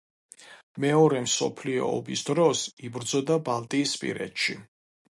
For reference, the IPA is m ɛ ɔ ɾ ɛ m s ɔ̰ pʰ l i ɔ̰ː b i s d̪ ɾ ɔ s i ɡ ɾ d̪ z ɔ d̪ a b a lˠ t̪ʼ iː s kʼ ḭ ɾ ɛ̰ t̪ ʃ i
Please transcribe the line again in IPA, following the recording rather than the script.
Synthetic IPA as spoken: m ɛ ɔ ɾ ɛ m s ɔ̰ pʰ l i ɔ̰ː b i s d̪ ɾ ɔ s i b ɾ d̪ z ɔ d̪ a b a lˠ t̪ʼ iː s pʼ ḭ ɾ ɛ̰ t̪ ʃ i

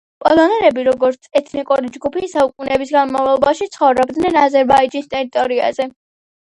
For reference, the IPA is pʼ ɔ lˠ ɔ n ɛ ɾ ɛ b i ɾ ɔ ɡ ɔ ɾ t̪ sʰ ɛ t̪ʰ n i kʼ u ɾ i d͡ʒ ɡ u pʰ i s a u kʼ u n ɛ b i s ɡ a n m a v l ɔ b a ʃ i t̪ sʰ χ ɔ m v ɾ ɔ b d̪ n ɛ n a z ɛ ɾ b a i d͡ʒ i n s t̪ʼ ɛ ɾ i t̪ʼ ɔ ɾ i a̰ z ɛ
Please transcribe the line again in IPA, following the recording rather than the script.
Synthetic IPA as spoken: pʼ ɔ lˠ ɔ n ɛ ɾ ɛ b i ɾ ɔ ɡ ɔ ɾ t̪ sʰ ɛ t̪ʰ n i kʼ u ɾ i d͡ʒ ɡ u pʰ i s a u kʼ u n ɛ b i s ɡ a n m a v l ɔ b a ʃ i t̪ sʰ χ ɔ v ɾ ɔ b d̪ n ɛ n a z ɛ ɾ b a i d͡ʒ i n s t̪ʼ ɛ ɾ i t̪ʼ ɔ ɾ i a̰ z ɛ

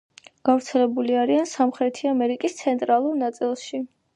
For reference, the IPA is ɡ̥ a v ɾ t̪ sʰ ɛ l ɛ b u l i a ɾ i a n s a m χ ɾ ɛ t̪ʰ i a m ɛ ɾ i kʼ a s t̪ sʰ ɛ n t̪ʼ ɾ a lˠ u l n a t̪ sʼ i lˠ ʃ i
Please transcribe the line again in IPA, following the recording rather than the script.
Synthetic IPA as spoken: ɡ̥ a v ɾ t̪ sʰ ɛ l ɛ b u l i a ɾ i a n s a m χ ɾ ɛ t̪ʰ i a m ɛ ɾ i kʼ i s t̪ sʰ ɛ n t̪ʼ ɾ a lˠ u ɾ n a t̪ sʼ i lˠ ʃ i

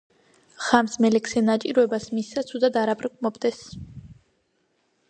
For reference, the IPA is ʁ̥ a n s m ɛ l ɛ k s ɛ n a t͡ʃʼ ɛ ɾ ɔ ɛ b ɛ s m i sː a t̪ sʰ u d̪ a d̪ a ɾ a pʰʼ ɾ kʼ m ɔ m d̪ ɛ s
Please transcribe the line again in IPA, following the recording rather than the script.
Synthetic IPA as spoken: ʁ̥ a m s m ɛ l ɛ k s ɛ n a t͡ʃʼ i ɾ ɔ ɛ b a s m i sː a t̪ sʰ u d̪ a d̪ a ɾ a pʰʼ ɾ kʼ m ɔ b d̪ ɛ s

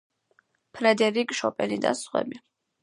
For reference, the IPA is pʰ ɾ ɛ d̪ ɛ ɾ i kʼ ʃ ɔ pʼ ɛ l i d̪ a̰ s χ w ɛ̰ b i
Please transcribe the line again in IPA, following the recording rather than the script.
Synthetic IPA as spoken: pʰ ɾ ɛ d̪ ɛ ɾ i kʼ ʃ ɔ pʼ ɛ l i d̪ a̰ s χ w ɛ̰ b i

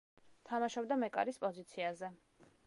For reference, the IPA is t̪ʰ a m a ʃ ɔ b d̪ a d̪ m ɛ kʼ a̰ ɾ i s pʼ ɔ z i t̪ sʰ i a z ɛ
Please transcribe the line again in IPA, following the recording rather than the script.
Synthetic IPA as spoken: t̪ʰ a m a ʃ ɔ b d̪ a m ɛ kʼ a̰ ɾ i s pʼ ɔ z i t̪ sʰ i a z ɛ

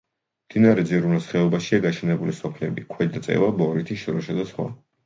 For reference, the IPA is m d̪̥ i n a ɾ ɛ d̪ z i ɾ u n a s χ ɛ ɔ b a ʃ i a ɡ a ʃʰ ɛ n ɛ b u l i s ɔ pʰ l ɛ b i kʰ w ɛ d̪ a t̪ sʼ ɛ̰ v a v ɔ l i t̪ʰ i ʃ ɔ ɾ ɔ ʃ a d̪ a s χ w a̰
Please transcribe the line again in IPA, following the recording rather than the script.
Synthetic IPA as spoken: m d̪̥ i n a ɾ ɛ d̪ z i ɾ u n a s χ ɛ ɔ b a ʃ i a ɡ a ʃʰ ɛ n ɛ b u l i s ɔ pʰ l ɛ b i kʰ w ɛ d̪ a t̪ sʼ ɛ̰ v a b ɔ ɾ i t̪ʰ i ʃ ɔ ɾ ɔ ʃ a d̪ a s χ w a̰

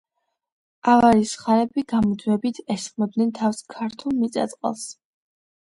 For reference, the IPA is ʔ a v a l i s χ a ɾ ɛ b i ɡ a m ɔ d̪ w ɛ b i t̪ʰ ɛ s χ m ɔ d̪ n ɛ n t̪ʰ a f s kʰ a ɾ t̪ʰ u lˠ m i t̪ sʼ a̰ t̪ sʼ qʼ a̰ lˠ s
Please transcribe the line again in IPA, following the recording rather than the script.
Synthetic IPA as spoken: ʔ a v a ɾ i s χ a ɾ ɛ b i ɡ a m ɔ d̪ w ɛ b i t̪ʰ ɛ s χ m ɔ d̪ n ɛ n t̪ʰ a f s kʰ a ɾ t̪ʰ u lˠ m i t̪ sʼ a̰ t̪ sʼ qʼ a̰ lˠ s

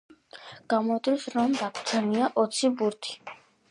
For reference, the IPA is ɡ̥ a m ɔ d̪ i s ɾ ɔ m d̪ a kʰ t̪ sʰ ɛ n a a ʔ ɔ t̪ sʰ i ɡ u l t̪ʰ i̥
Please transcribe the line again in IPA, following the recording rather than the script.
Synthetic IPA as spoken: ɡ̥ a m ɔ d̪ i s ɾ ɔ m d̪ a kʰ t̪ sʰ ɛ n i a ʔ ɔ t̪ sʰ i b u ɾ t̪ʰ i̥

